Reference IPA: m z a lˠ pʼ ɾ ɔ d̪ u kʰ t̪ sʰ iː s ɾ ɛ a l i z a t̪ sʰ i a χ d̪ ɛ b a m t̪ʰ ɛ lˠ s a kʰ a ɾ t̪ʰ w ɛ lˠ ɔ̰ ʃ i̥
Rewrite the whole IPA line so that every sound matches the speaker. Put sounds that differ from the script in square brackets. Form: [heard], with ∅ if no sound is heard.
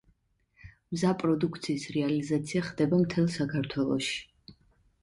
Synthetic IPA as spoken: m z a [∅] pʼ ɾ ɔ d̪ u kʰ t̪ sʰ iː s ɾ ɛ a l i z a t̪ sʰ i a χ d̪ ɛ b a m t̪ʰ ɛ lˠ s a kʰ a ɾ t̪ʰ w ɛ lˠ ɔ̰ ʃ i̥